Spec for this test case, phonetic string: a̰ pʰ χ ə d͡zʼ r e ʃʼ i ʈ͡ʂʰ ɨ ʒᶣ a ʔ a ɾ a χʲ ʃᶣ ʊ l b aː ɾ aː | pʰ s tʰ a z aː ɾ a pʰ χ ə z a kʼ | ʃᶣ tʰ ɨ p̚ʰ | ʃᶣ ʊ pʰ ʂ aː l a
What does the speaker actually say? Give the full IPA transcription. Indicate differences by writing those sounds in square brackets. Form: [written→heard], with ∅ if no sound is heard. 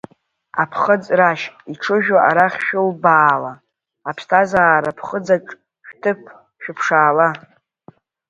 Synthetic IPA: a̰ pʰ χ ə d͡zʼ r [e→a] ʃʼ i ʈ͡ʂʰ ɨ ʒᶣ a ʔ a ɾ a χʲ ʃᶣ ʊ l b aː [ɾ→l] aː | pʰ s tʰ a z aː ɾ a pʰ χ ə [z→d͡z] a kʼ | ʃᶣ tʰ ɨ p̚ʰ | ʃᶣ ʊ pʰ ʂ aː l a